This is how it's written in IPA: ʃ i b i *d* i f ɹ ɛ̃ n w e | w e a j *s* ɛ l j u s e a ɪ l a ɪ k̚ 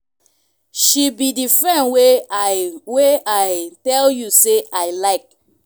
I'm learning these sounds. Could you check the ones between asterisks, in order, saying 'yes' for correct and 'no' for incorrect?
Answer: yes, no

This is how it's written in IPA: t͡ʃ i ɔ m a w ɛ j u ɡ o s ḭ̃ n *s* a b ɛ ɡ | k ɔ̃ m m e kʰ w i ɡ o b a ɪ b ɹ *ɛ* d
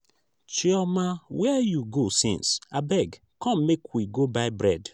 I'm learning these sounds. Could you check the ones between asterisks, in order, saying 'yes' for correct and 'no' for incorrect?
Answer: yes, yes

